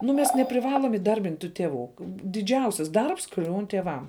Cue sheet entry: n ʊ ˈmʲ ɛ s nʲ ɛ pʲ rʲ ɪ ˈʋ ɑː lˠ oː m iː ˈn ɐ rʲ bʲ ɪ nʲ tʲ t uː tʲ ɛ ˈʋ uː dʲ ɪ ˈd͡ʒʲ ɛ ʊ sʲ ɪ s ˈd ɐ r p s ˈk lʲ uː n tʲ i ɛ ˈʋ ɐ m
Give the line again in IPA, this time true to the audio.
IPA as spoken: n ʊ ˈmʲ ɛ s nʲ ɛ pʲ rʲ ɪ ˈʋ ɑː lˠ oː m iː ˈd ɐ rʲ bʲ ɪ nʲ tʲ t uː tʲ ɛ ˈʋ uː dʲ ɪ ˈd͡ʒʲ ɛ ʊ sʲ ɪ s ˈd ɐ r p s ˈk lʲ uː n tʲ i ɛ ˈʋ ɐ m